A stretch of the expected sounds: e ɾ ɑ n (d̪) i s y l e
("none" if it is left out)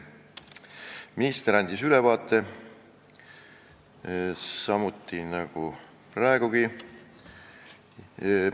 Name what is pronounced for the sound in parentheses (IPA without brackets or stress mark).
d̪